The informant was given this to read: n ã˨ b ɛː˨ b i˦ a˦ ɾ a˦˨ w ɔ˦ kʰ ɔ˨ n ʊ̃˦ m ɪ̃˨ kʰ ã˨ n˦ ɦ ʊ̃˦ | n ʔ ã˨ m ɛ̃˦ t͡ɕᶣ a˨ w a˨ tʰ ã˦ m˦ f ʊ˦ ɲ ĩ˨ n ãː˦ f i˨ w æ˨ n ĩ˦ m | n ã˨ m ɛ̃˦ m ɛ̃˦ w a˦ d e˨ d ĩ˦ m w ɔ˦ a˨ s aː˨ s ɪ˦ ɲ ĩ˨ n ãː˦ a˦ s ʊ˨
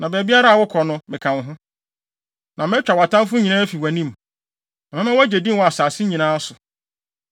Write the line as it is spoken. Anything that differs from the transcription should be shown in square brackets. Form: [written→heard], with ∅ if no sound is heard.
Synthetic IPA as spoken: n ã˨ b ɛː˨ b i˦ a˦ ɾ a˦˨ w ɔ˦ kʰ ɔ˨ n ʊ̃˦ m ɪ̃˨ kʰ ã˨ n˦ ɦ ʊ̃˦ | n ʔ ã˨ m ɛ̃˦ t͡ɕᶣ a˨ w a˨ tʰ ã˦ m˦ f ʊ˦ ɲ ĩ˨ n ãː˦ f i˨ w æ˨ n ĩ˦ m | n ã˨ m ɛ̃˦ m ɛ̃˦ w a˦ [d→d͡ʑ] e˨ d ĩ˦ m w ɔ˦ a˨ s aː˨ s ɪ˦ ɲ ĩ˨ n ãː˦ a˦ s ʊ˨